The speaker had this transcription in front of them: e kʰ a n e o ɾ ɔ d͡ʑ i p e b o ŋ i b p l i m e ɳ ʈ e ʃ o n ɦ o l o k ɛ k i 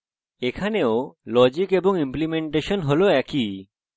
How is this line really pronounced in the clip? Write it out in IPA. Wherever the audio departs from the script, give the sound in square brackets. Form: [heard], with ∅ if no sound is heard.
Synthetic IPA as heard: e kʰ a n e o [l] ɔ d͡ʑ i [k] e b o ŋ i [m] p l i m e ɳ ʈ e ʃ o n ɦ o l o [∅] ɛ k i